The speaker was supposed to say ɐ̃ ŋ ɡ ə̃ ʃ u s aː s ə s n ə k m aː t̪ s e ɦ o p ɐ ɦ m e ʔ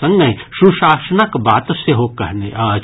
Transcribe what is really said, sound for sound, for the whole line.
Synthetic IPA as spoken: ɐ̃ ŋ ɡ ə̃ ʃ u ʃ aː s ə n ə k b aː t̪ s e ɦ o k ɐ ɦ n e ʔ